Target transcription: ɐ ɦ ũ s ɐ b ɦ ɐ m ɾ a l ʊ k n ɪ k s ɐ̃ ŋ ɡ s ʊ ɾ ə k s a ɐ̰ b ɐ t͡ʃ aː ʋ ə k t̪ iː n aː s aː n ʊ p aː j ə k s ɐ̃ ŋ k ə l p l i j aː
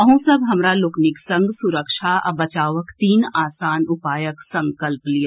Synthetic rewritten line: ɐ ɦ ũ s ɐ b ɦ ɐ m ɾ a l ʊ k n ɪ k s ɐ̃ ŋ ɡ s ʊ ɾ ə k ʃ a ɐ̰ b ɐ t͡ʃ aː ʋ ə k t̪ iː n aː s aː n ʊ p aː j ə k s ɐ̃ ŋ k ə l p l i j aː